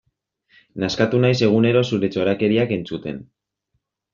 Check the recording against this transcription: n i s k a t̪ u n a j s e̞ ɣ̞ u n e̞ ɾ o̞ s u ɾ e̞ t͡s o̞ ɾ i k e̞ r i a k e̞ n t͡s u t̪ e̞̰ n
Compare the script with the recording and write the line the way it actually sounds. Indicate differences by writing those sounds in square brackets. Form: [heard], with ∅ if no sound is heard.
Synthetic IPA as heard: n [a] s k a t̪ u n a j s e̞ ɣ̞ u n e̞ ɾ o̞ s u ɾ e̞ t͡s o̞ ɾ [a] k e̞ [ɾ] i a k e̞ n t͡s u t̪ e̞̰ n